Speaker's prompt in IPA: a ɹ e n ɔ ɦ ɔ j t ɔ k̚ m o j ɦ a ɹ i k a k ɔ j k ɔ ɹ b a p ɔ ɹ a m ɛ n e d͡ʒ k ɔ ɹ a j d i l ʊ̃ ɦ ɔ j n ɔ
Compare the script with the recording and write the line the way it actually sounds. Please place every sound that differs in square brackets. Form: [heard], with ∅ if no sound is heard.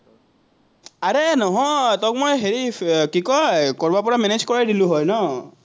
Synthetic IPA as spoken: a ɹ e n ɔ ɦ ɔ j t ɔ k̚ m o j ɦ [e] ɹ i k [i] k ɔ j k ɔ ɹ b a p ɔ ɹ a m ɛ n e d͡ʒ k ɔ ɹ a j d i l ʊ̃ ɦ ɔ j n ɔ